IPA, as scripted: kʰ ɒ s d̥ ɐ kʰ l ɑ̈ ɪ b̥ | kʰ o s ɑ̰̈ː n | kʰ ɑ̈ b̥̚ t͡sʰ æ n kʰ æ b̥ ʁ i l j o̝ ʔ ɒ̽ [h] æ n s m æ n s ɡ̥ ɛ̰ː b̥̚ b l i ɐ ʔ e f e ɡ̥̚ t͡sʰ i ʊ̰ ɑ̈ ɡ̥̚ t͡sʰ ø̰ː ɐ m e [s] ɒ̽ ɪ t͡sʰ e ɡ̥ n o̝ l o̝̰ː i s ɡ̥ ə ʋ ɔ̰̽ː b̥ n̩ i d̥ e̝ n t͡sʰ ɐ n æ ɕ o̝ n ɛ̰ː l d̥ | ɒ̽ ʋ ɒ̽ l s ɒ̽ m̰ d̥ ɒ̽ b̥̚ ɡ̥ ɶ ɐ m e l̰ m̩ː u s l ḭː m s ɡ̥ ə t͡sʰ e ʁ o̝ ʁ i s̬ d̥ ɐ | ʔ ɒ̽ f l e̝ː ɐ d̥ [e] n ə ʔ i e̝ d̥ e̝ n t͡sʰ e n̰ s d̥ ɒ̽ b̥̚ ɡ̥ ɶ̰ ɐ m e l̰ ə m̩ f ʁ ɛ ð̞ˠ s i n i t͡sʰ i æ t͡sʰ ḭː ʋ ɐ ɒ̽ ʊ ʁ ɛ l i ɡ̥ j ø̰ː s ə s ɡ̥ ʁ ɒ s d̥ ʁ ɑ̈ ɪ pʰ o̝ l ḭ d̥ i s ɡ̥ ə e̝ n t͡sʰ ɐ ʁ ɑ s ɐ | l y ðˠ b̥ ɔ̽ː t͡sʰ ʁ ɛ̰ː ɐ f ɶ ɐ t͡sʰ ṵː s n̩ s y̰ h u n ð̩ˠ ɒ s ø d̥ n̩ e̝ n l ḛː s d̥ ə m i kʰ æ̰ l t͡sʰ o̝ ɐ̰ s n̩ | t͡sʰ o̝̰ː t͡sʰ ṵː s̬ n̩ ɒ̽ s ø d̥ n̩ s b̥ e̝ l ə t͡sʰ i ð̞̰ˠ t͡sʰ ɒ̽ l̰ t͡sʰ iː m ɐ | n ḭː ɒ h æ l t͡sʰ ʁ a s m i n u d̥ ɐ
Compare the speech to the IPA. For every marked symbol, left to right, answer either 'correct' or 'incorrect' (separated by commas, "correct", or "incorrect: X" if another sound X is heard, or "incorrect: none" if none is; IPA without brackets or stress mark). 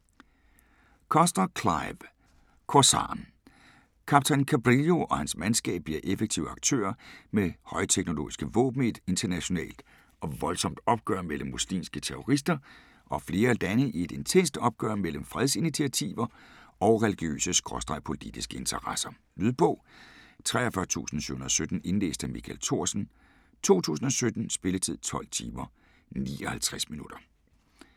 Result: correct, incorrect: h, incorrect: æ